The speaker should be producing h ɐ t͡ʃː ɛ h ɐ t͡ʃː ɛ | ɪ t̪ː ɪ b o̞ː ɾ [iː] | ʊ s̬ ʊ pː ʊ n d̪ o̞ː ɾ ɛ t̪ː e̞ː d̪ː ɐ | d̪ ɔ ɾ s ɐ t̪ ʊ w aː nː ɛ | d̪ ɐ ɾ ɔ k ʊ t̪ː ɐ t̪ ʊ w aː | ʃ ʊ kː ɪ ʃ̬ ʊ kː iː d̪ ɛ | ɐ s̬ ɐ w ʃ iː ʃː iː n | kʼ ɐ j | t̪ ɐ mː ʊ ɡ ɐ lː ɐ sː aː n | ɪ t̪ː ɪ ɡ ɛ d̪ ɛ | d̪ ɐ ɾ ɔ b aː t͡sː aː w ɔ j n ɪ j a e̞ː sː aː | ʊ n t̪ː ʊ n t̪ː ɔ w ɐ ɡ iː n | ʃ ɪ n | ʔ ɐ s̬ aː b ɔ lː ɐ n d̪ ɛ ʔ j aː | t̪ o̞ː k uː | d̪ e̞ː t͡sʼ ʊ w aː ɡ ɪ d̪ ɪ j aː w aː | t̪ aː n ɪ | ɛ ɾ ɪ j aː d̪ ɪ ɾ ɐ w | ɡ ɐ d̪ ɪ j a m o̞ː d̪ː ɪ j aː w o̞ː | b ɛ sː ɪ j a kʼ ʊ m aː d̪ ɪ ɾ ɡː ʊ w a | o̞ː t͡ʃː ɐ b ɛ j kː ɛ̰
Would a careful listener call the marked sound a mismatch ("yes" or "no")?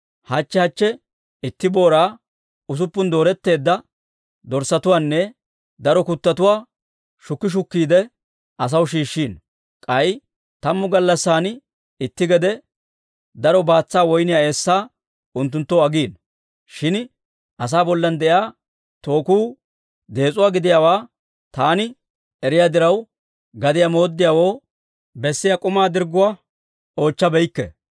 yes